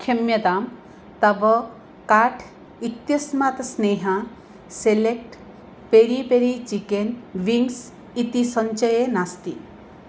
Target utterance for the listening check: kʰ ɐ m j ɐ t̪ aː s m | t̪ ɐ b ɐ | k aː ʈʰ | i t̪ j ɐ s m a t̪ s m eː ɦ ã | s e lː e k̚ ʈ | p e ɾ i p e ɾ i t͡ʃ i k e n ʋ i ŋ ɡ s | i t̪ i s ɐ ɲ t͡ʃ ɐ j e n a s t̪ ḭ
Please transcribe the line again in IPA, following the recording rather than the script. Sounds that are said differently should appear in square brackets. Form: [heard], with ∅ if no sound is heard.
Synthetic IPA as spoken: kʰ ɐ m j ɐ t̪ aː [∅] m | t̪ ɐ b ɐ | k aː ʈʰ | i t̪ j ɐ s m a t̪ s [n] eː ɦ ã | s e [l] e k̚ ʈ | p e ɾ i p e ɾ i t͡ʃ i k e n ʋ i ŋ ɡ s | i t̪ i s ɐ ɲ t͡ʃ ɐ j e n a s t̪ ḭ

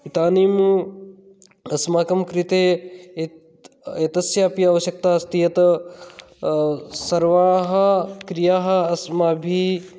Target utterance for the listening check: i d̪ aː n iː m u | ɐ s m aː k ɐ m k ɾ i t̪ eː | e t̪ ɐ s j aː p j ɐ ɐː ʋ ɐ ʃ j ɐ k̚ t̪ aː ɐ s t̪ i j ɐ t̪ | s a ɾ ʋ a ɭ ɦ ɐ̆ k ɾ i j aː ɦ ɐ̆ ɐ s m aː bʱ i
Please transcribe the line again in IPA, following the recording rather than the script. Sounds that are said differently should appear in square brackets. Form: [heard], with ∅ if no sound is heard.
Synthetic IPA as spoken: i [t̪] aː n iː m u | ɐ s m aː k ɐ m k ɾ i t̪ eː | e t̪ ɐ s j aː p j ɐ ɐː ʋ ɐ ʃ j ɐ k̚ t̪ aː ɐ s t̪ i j ɐ t̪ | s [ɐ] ɾ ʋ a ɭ ɦ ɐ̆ k ɾ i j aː ɦ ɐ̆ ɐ s m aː bʱ i

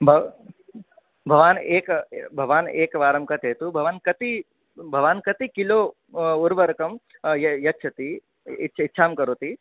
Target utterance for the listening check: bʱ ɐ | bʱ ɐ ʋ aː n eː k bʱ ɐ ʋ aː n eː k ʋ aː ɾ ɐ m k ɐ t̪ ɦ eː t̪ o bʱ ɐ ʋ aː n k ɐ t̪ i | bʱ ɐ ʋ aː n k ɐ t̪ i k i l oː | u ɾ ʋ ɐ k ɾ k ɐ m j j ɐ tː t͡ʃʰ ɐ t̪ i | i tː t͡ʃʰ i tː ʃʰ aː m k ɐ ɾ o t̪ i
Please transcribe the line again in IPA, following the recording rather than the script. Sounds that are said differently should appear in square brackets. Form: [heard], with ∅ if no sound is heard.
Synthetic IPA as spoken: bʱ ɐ | bʱ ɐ ʋ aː n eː k bʱ ɐ ʋ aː n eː k ʋ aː ɾ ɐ m k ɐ t̪ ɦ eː t̪ [u] bʱ ɐ ʋ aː n k ɐ t̪ i | bʱ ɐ ʋ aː n k ɐ t̪ i k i l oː | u ɾ ʋ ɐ [∅] ɾ k ɐ m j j ɐ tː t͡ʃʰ ɐ t̪ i | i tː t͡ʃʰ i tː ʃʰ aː m k ɐ ɾ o t̪ i

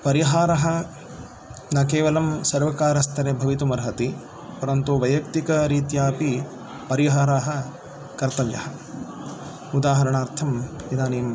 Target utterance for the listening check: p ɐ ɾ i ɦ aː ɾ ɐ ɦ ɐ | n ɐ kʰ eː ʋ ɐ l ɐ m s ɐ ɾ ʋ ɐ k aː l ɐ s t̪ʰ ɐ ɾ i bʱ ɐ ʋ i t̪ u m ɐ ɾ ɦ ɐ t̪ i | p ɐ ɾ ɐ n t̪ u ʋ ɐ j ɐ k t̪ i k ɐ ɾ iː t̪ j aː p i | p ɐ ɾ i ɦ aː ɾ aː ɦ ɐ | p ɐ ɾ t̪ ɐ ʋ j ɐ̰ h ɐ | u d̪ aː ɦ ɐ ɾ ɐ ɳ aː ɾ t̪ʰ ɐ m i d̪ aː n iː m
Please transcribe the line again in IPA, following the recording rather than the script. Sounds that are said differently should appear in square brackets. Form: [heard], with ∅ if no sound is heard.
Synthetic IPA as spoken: p ɐ ɾ i ɦ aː ɾ ɐ ɦ ɐ | n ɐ [k] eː ʋ ɐ l ɐ m s ɐ ɾ ʋ ɐ k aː [ɾ] ɐ s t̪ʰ ɐ ɾ [e] bʱ ɐ ʋ i t̪ u m ɐ ɾ ɦ ɐ t̪ i | p ɐ ɾ ɐ n t̪ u ʋ ɐ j ɐ k t̪ i k ɐ ɾ iː t̪ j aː p i | p ɐ ɾ i ɦ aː ɾ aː ɦ ɐ | [k] ɐ ɾ t̪ ɐ ʋ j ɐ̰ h ɐ | u d̪ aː ɦ ɐ ɾ ɐ ɳ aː ɾ t̪ʰ ɐ m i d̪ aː n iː m

